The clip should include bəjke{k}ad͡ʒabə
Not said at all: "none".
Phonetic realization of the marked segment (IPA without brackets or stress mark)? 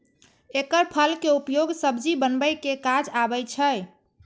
k